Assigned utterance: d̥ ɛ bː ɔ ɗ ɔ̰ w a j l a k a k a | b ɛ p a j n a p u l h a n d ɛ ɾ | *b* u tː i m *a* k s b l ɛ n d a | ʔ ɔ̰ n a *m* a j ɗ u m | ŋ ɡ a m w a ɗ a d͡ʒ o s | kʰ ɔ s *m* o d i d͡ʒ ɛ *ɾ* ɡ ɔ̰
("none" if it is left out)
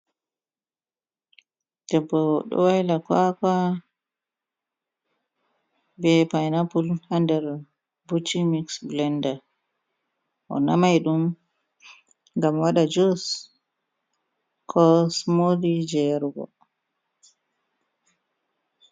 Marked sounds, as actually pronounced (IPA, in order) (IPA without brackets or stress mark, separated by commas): b, i, m, m, ɾ